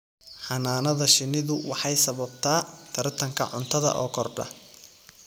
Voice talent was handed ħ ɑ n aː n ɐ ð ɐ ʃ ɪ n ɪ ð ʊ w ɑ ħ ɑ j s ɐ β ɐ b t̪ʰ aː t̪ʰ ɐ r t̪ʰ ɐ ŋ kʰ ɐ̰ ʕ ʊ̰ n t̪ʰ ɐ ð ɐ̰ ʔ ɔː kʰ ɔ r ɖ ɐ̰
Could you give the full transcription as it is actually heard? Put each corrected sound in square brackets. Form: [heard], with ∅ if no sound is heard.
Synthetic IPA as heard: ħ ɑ n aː n ɐ ð ɐ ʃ ɪ n ɪ ð ʊ w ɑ ħ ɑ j s ɐ β ɐ b t̪ʰ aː t̪ʰ ɐ r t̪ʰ ɐ ŋ kʰ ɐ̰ ʕ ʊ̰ n t̪ʰ ɐ ð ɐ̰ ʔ ɔː kʰ ɔ r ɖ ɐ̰